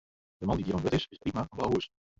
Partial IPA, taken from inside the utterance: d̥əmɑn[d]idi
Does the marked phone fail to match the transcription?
no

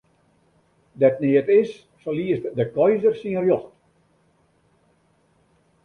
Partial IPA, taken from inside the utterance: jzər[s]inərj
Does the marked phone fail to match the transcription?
no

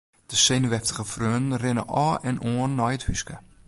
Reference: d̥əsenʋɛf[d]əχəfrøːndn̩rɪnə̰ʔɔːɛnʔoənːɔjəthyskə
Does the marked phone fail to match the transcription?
yes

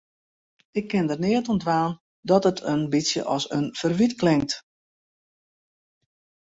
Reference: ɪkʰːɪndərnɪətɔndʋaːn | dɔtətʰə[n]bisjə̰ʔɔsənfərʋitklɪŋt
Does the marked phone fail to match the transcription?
no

